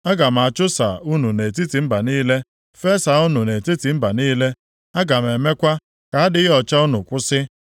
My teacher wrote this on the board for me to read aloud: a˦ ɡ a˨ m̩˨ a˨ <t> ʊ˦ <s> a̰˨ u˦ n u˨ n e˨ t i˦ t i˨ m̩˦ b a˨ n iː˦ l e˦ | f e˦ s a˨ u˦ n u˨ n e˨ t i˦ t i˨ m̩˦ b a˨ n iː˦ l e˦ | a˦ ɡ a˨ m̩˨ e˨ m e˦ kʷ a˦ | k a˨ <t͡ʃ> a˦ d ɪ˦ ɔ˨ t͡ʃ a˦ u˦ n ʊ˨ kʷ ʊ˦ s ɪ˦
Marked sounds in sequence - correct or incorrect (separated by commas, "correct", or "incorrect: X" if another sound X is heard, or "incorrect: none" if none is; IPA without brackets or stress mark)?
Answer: incorrect: t͡ʃ, correct, incorrect: none